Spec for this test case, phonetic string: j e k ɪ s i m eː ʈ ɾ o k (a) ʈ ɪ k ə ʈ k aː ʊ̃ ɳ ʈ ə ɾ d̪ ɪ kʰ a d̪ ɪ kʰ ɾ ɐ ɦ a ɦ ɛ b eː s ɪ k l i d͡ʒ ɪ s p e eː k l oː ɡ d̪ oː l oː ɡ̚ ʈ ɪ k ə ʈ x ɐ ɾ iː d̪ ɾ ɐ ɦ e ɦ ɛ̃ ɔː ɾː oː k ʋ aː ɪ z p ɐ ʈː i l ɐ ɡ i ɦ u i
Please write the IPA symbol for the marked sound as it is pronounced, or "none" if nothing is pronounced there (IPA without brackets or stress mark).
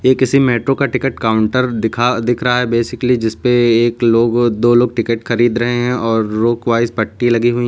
a